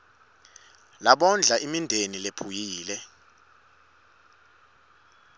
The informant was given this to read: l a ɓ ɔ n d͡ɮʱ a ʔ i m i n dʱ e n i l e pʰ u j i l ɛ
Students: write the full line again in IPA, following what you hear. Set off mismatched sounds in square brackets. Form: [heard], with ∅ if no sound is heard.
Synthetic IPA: l a ɓ ɔ n d͡ɮʱ a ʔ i m i n dʱ e n i l e pʰ u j [iː] l ɛ